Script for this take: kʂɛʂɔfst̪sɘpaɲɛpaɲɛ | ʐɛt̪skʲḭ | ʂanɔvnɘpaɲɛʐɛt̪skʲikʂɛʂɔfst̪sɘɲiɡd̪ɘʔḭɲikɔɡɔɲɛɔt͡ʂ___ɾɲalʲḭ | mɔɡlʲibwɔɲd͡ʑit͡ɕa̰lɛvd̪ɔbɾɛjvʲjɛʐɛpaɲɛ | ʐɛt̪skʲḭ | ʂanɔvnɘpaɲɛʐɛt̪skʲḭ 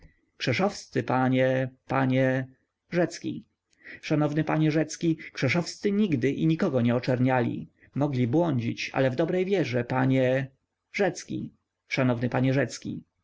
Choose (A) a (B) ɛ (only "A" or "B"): B